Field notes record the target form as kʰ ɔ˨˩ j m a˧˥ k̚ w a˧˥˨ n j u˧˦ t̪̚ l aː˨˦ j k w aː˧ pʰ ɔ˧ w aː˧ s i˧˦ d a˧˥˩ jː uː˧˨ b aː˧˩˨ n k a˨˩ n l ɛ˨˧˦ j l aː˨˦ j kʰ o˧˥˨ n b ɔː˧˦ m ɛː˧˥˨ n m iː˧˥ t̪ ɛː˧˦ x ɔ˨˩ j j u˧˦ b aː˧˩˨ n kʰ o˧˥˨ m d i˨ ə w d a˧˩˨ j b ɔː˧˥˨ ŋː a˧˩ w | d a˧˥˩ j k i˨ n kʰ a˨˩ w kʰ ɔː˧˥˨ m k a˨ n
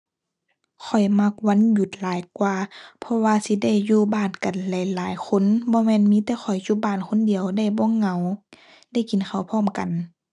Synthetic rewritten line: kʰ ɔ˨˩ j m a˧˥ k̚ w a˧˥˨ n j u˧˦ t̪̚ l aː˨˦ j k w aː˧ pʰ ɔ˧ w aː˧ s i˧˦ d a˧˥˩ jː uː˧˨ b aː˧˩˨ n k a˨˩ n l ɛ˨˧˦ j l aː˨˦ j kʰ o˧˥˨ n b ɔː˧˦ m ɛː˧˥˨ n m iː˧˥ t̪ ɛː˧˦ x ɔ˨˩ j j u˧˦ b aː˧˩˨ n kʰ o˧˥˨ n d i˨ ə w d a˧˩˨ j b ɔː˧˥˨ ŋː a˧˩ w | d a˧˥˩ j k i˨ n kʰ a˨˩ w pʰ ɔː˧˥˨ m k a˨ n

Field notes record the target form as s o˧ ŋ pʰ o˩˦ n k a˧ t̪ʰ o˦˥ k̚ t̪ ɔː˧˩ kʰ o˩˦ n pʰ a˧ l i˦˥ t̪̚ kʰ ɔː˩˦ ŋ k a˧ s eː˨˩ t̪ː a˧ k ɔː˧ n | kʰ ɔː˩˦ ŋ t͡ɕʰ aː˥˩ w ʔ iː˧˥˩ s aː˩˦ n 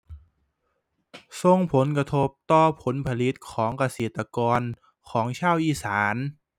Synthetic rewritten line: s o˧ ŋ pʰ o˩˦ n k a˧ t̪ʰ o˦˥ p̚ t̪ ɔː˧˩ pʰ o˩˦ n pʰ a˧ l i˦˥ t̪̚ kʰ ɔː˩˦ ŋ k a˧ s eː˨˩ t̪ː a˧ k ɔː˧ n | kʰ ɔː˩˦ ŋ t͡ɕʰ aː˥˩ w ʔ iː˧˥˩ s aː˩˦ n

